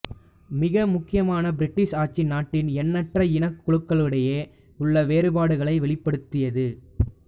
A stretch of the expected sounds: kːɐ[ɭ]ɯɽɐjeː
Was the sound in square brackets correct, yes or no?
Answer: yes